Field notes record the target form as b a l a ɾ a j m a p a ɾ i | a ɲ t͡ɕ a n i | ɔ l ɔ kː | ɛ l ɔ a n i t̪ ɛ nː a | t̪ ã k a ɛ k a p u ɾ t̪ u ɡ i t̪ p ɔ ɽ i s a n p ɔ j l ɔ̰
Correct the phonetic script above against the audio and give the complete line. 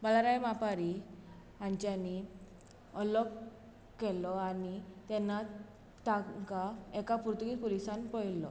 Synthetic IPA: b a l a ɾ a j m a p a ɾ i | a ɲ t͡ɕ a n i | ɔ l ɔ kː | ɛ l ɔ a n i t̪ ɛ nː a | t̪ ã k a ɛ k a p u ɾ t̪ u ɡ i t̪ p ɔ l i s a n p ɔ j l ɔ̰

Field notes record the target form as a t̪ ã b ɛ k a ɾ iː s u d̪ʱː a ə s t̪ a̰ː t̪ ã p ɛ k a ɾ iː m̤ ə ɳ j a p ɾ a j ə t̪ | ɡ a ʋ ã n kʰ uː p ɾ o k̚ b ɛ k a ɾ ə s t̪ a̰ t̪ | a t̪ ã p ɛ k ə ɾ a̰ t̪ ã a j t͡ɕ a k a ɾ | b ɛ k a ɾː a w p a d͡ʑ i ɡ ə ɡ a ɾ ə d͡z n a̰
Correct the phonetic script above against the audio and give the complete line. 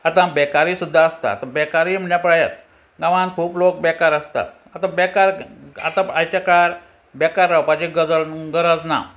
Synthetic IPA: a t̪ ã b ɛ k a ɾ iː s u d̪ʱː a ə s t̪ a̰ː t̪ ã b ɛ k a ɾ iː m̤ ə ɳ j a p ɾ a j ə t̪ | ɡ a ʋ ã n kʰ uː p l o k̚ b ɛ k a ɾ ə s t̪ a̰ t̪ | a t̪ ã b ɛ k a ɾ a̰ t̪ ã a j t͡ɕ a k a ɾ | b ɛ k a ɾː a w p a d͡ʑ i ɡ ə ɡ ə ɾ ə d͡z n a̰

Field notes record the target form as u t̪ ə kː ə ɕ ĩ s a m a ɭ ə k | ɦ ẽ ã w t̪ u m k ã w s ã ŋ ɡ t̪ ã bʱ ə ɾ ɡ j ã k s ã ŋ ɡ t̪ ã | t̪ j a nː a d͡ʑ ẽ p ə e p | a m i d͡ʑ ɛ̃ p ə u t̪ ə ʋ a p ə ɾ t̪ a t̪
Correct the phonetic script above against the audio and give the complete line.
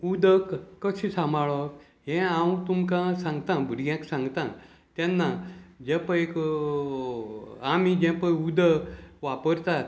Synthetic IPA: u d̪ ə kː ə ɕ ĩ s a m a ɭ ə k | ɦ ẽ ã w t̪ u m k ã s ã ŋ ɡ t̪ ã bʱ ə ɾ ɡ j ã k s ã ŋ ɡ t̪ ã | t̪ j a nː a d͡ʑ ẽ p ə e k | a m i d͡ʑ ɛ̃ p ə u d̪ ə ʋ a p ə ɾ t̪ a t̪

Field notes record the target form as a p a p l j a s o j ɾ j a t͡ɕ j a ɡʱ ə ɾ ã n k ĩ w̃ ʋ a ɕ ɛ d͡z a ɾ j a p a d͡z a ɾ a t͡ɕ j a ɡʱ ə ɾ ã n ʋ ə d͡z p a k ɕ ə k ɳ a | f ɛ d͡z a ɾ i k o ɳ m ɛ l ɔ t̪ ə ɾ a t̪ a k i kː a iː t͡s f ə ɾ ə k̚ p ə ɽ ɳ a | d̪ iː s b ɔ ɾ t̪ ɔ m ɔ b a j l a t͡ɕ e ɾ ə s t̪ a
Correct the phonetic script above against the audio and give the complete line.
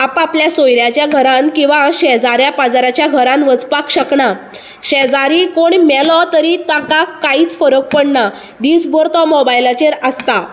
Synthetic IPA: a p a p l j a s o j ɾ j a t͡ɕ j a ɡʱ ə ɾ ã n k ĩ w̃ ʋ a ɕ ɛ d͡z a ɾ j a p a d͡z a ɾ a t͡ɕ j a ɡʱ ə ɾ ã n ʋ ə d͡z p a k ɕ ə k ɳ a | ɕ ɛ d͡z a ɾ i k o ɳ m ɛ l ɔ t̪ ə ɾ i t̪ a k a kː a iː t͡s f ə ɾ ə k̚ p ə ɽ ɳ a | d̪ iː s b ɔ ɾ t̪ ɔ m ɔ b a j l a t͡ɕ e ɾ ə s t̪ a

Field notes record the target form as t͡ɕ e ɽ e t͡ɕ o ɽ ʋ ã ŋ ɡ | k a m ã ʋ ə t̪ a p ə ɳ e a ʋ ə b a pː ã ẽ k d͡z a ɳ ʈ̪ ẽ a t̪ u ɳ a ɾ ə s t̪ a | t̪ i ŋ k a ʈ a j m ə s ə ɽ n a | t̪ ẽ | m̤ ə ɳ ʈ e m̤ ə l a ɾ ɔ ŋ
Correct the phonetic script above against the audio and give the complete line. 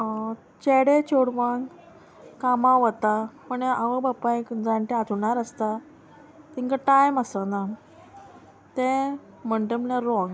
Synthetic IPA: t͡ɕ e ɽ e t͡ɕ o ɽ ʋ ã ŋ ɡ | k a m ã ʋ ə t̪ a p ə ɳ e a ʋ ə b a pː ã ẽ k d͡z a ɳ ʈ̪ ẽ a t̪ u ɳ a ɾ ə s t̪ a | t̪ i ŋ k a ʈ a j m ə s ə n a | t̪ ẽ | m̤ ə ɳ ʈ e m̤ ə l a ɾ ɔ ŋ

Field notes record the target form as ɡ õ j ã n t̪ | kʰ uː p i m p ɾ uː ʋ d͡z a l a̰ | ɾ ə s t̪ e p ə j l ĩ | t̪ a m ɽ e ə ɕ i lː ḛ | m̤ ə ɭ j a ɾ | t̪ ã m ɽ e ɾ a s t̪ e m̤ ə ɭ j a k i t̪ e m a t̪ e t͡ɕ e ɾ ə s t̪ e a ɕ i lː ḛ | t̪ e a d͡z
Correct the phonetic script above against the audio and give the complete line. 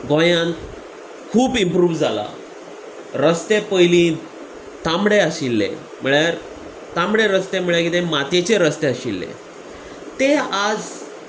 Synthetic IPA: ɡ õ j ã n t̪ | kʰ uː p i m p ɾ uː ʋ d͡z a l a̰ | ɾ ə s t̪ e p ə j l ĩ | t̪ a m ɽ e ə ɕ i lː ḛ | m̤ ə ɭ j a ɾ | t̪ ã m ɽ e ɾ ə s t̪ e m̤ ə ɭ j a k i t̪ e m a t̪ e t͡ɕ e ɾ ə s t̪ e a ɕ i lː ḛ | t̪ e a d͡z

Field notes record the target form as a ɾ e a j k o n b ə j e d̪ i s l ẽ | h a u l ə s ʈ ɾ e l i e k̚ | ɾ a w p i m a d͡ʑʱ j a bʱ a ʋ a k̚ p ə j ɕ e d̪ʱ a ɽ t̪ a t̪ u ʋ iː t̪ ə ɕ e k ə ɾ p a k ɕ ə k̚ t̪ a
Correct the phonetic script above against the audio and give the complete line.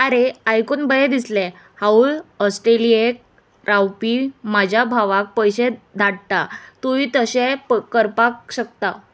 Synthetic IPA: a ɾ e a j k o n b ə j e d̪ i s l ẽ | h a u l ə s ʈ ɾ e l i e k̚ | ɾ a w p i m a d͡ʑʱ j a bʱ a ʋ a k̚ p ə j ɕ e d̪ʱ a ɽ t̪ a t̪ u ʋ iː t̪ ə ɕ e k ə ɾ p a k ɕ ə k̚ t̪ a

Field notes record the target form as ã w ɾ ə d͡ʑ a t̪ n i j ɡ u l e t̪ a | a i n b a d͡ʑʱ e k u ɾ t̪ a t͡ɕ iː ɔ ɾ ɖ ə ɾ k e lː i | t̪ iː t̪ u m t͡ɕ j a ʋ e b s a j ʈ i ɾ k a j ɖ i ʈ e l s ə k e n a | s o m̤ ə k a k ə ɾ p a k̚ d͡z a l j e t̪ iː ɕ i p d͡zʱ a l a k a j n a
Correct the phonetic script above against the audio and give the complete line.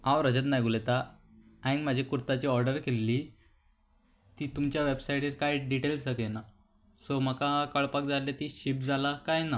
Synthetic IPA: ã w ɾ ə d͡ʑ ə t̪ n a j ɡ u l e t̪ a | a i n m a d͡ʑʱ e k u ɾ t̪ a t͡ɕ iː ɔ ɾ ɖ ə ɾ k e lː i | t̪ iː t̪ u m t͡ɕ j a ʋ e b s a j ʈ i ɾ k a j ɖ i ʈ e l s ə k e n a | s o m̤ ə k a k ə ɭ p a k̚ d͡z a l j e t̪ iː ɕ i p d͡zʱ a l a k a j n a

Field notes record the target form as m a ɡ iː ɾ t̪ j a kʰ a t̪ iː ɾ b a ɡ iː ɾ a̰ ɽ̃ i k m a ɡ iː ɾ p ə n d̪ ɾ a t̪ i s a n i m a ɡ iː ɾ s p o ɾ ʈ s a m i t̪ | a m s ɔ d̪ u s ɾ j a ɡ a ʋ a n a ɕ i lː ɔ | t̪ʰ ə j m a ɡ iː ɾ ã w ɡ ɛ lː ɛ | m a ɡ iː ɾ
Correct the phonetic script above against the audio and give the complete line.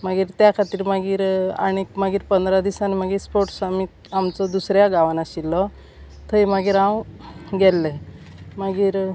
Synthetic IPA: m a ɡ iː ɾ t̪ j a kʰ a t̪ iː ɾ m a ɡ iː ɾ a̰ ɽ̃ i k m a ɡ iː ɾ p ə n d̪ ɾ a d̪ i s a n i m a ɡ iː ɾ s p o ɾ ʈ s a m i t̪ | a m t͡s ɔ d̪ u s ɾ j a ɡ a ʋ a n a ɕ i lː ɔ | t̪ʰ ə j m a ɡ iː ɾ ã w ɡ ɛ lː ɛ | m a ɡ iː ɾ

